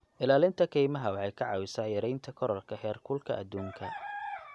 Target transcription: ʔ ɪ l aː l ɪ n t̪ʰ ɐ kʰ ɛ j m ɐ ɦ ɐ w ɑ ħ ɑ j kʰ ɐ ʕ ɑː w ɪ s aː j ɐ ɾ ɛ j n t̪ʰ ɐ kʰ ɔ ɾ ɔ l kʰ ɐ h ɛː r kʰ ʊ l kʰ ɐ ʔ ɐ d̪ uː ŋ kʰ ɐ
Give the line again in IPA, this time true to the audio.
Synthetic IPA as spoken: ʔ ɪ l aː l ɪ n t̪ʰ ɐ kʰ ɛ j m ɐ ɦ ɐ w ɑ ħ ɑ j kʰ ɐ ʕ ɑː w ɪ s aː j ɐ ɾ ɛ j n t̪ʰ ɐ kʰ ɔ ɾ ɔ l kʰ ɐ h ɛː r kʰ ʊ l kʰ ɐ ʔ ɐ d̪ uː ŋ kʰ ɐ